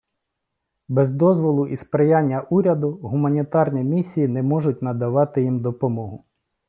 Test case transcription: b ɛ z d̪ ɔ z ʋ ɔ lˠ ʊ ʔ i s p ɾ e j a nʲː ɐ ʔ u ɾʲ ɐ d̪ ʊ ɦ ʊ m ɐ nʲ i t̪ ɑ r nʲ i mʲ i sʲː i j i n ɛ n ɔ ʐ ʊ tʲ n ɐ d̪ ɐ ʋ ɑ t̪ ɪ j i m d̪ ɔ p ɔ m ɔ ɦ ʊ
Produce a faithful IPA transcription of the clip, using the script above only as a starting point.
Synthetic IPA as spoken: b ɛ z d̪ ɔ z ʋ ɔ lˠ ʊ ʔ i s p ɾ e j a nʲː ɐ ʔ u ɾʲ ɐ d̪ ʊ ɦ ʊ m ɐ nʲ i t̪ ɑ r nʲ i mʲ i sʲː i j i n ɛ m ɔ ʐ ʊ tʲ n ɐ d̪ ɐ ʋ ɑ t̪ ɪ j i m d̪ ɔ p ɔ m ɔ ɦ ʊ